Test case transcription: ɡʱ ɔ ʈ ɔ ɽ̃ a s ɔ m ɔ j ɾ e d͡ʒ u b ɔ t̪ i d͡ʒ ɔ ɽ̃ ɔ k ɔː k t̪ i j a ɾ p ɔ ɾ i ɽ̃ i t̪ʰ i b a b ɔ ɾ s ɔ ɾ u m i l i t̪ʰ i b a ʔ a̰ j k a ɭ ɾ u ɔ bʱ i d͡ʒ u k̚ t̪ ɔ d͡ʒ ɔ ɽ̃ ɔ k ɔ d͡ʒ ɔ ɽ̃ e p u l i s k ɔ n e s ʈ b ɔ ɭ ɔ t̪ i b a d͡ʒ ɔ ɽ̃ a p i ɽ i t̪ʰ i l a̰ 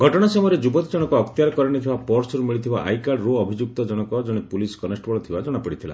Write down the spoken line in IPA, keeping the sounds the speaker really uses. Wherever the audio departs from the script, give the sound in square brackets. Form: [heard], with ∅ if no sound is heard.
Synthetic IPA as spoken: ɡʱ ɔ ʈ ɔ ɽ̃ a s ɔ m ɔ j ɾ e d͡ʒ u b ɔ t̪ i d͡ʒ ɔ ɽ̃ ɔ k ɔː k t̪ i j a ɾ [k] ɔ ɾ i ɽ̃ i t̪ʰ i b a [p] ɔ ɾ s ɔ ɾ u m i [ɭ] i t̪ʰ i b a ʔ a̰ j k a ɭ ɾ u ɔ bʱ i d͡ʒ u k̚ t̪ ɔ d͡ʒ ɔ ɽ̃ ɔ k ɔ d͡ʒ ɔ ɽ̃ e p u l i s k ɔ n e s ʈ b ɔ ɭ ɔ [t̪ʰ] i b a d͡ʒ ɔ ɽ̃ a p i ɽ i t̪ʰ i l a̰